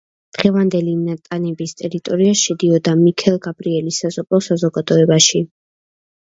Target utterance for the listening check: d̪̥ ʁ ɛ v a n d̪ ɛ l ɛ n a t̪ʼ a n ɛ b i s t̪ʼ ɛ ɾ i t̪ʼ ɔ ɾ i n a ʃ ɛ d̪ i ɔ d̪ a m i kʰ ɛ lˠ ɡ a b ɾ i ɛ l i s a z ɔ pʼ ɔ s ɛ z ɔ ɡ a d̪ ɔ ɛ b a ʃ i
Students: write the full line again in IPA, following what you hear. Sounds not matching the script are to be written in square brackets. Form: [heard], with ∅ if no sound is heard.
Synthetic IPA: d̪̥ ʁ ɛ v a n d̪ ɛ l [i] n a t̪ʼ a n ɛ b i s t̪ʼ ɛ ɾ i t̪ʼ ɔ ɾ i [∅] a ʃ ɛ d̪ i ɔ d̪ a m i kʰ ɛ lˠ ɡ a b ɾ i ɛ l i s a z ɔ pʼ ɔ s [a] z ɔ ɡ a d̪ ɔ ɛ b a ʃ i